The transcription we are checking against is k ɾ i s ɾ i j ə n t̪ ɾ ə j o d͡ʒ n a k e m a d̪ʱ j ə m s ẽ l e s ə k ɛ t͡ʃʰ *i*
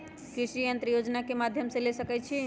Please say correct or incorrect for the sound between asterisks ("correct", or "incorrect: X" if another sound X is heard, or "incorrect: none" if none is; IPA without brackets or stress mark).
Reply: correct